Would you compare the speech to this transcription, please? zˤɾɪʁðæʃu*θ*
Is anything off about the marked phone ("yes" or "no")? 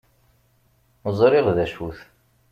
no